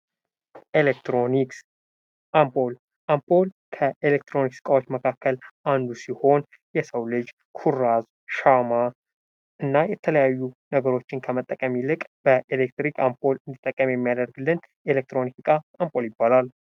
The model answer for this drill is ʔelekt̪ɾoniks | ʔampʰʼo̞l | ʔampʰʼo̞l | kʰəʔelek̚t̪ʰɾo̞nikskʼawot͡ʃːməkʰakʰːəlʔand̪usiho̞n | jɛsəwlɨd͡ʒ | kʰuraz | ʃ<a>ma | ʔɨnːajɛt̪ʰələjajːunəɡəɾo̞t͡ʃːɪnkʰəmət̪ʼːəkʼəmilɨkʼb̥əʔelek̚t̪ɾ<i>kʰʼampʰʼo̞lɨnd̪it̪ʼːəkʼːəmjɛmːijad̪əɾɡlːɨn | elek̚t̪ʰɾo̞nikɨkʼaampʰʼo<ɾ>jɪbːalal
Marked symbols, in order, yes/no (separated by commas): yes, yes, no